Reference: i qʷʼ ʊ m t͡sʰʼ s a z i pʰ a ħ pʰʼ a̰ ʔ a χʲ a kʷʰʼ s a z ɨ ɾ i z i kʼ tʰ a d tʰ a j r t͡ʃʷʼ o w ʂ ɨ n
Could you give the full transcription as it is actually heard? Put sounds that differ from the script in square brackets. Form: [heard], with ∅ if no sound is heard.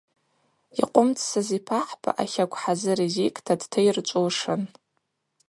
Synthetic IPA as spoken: i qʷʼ ʊ m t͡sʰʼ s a z i pʰ a ħ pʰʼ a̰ ʔ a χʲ a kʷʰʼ [ħ] a z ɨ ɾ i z i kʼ tʰ a d tʰ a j r t͡ʃʷʼ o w ʂ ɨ n